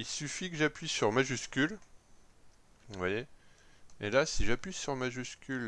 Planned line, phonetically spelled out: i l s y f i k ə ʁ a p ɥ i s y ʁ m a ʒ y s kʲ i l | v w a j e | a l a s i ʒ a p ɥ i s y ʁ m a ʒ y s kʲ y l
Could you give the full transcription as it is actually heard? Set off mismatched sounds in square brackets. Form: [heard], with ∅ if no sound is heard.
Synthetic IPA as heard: i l s y f i k ə [ʒ] a p ɥ i s y ʁ m a ʒ y s kʲ [y] l | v w a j e | [e] l a s i ʒ a p ɥ i s y ʁ m a ʒ y s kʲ y l

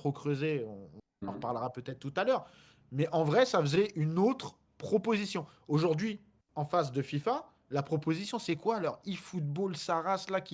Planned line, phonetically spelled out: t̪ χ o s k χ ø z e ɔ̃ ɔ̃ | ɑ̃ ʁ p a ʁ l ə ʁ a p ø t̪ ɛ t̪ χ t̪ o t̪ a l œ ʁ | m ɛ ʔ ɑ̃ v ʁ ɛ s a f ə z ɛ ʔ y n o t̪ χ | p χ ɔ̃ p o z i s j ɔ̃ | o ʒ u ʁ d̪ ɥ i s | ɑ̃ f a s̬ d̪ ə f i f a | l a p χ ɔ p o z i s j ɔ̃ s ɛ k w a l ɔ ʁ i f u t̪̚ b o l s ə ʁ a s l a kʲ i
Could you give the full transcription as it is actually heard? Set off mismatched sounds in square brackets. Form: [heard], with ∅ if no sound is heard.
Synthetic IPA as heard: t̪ χ o [∅] k χ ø z e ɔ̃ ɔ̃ | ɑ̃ ʁ p a ʁ l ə ʁ a p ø t̪ ɛ t̪ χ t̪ [u] t̪ a l œ ʁ | m ɛ ʔ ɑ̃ v ʁ ɛ s a f ə z ɛ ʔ y n o t̪ χ | p χ [ɔ] p o z i s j ɔ̃ | o ʒ u ʁ d̪ ɥ i [∅] | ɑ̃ f a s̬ d̪ ə f i f a | l a p χ ɔ p o z i s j ɔ̃ s ɛ k w a l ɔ ʁ i f u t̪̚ b o l s [a] ʁ a s l a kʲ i

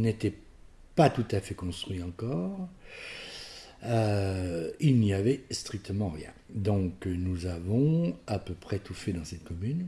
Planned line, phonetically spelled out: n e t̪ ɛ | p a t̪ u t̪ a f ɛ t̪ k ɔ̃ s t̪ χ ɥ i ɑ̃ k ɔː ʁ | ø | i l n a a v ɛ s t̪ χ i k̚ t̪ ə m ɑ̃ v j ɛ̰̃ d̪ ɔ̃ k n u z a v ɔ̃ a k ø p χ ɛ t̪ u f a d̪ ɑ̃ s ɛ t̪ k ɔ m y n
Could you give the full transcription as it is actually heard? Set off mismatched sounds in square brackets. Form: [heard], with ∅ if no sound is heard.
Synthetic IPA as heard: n e t̪ ɛ | p a t̪ u t̪ a f ɛ [∅] k ɔ̃ s t̪ χ ɥ i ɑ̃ k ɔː ʁ | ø | i l n [i] a v ɛ s t̪ χ i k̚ t̪ ə m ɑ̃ [ʁ] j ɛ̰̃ d̪ ɔ̃ k n u z a v ɔ̃ a [p] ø p χ ɛ t̪ u f [ɛ] d̪ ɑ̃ s ɛ t̪ k ɔ m y n

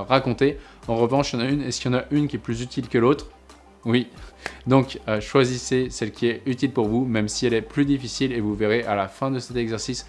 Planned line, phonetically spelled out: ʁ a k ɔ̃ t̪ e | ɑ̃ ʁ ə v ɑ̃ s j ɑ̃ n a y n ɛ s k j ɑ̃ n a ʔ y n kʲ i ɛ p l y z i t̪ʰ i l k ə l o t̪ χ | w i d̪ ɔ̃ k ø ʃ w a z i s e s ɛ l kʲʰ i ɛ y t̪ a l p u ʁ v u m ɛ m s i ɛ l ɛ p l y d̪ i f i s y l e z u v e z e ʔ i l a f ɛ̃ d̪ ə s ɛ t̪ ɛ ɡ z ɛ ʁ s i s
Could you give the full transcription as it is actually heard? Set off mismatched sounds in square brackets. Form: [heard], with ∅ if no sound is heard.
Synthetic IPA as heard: ʁ a k ɔ̃ t̪ e | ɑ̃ ʁ ə v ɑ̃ [ʃ] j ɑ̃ n a y n ɛ s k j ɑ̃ n a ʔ y n kʲ i ɛ p l y z [y] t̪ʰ i l k ə l o t̪ χ | w i d̪ ɔ̃ k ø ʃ w a z i s e s ɛ l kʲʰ i ɛ y t̪ [i] l p u ʁ v u m ɛ m s i ɛ l ɛ p l y d̪ i f i s [i] l e [v] u v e [ʁ] e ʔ [a] l a f ɛ̃ d̪ ə s ɛ t̪ ɛ ɡ z ɛ ʁ s i s

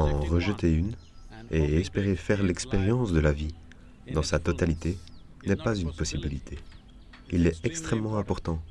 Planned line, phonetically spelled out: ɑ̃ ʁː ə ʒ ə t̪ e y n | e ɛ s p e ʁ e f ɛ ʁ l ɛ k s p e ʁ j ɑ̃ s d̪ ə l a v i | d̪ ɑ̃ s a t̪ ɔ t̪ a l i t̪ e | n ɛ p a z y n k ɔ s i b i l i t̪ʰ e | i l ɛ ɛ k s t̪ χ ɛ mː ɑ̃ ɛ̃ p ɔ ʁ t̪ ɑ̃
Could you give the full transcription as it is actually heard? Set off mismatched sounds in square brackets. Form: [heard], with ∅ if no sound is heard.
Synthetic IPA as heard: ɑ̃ [ʁ] ə ʒ ə t̪ e y n | e ɛ s p e ʁ e f ɛ ʁ l ɛ k s p e ʁ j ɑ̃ s d̪ ə l a v i | d̪ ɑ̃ s a t̪ ɔ t̪ a l i t̪ e | n ɛ p a z y n [p] ɔ s i b i l i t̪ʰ e | i l ɛ ɛ k s t̪ χ ɛ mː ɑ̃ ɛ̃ p ɔ ʁ t̪ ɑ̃

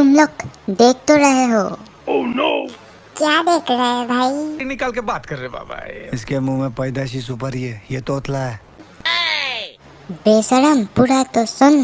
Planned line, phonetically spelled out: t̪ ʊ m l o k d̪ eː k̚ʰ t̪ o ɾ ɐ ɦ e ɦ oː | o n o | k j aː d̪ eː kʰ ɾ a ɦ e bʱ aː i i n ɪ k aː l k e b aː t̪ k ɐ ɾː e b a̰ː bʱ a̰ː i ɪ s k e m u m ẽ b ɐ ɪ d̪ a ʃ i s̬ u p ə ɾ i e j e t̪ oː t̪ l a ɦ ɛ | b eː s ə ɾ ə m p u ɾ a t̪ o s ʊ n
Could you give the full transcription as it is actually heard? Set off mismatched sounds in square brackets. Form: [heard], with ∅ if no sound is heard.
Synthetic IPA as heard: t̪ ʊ m l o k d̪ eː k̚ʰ t̪ o ɾ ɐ ɦ e ɦ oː | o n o | k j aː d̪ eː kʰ ɾ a ɦ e bʱ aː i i n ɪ k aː l k e b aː t̪ k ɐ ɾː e b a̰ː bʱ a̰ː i ɪ s k e m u m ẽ [p] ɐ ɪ d̪ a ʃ i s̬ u p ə ɾ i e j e t̪ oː t̪ l a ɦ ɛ | b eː s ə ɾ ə m p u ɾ a t̪ o s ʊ n

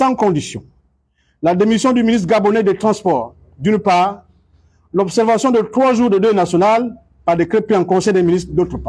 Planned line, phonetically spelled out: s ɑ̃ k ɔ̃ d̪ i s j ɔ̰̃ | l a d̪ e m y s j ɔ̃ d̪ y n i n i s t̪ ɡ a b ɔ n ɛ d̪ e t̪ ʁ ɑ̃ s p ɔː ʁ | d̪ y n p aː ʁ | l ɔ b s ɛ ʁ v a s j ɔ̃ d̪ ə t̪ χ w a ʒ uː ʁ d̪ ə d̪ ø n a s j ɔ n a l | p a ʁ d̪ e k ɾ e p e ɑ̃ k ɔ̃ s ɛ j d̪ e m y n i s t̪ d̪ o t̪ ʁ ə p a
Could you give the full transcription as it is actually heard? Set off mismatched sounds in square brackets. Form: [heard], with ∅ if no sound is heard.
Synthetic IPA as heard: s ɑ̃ k ɔ̃ d̪ i s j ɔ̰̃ | l a d̪ e m [i] s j ɔ̃ d̪ y [m] i n i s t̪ ɡ a b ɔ n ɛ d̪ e t̪ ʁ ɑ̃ s p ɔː ʁ | d̪ y n p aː ʁ | l ɔ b s ɛ ʁ v a s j ɔ̃ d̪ ə t̪ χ w a ʒ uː ʁ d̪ ə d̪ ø n a s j ɔ n a l | p a ʁ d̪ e k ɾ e p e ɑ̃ k ɔ̃ s ɛ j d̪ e m [i] n i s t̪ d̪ o t̪ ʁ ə p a

